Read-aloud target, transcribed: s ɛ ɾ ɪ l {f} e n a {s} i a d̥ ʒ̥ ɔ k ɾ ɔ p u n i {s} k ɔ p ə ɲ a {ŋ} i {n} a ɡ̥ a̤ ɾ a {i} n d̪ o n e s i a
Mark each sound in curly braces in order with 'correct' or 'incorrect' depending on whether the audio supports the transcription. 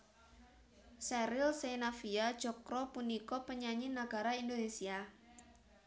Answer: incorrect: s, incorrect: f, incorrect: none, incorrect: ɲ, correct, correct

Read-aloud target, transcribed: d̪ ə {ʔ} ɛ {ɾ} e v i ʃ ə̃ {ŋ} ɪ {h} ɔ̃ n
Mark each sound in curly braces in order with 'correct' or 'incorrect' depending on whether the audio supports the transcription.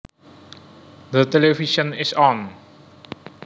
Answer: incorrect: t, incorrect: l, incorrect: n, incorrect: s

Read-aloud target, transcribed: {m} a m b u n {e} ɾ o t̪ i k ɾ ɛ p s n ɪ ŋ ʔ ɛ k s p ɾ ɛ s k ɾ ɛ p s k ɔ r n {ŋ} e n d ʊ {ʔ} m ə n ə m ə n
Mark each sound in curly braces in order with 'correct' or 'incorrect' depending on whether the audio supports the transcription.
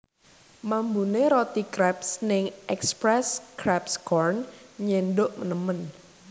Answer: correct, correct, incorrect: ɲ, correct

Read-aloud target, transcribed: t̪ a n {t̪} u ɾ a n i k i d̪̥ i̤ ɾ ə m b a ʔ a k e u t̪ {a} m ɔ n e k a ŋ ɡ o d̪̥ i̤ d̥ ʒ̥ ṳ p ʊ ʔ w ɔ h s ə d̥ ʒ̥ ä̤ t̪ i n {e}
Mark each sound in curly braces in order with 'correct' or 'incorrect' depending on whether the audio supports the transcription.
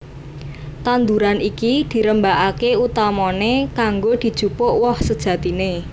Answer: incorrect: d̪, correct, correct

